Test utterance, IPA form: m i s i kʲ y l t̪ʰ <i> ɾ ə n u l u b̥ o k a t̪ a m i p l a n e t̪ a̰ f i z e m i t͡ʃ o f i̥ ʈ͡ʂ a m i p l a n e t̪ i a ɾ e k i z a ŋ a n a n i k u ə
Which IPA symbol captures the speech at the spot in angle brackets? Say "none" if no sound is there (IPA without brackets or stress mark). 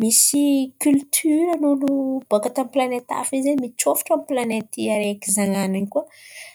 y